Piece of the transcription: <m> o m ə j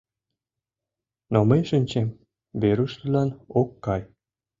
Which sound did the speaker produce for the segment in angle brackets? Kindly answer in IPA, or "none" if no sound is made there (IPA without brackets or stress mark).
n